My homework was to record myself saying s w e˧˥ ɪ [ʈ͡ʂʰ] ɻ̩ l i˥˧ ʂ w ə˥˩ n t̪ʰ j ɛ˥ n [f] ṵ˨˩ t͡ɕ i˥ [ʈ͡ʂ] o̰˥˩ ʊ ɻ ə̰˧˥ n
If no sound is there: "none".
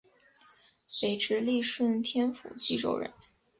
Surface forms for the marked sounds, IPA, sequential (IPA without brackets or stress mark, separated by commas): ʈ͡ʂ, f, ʈ͡ʂ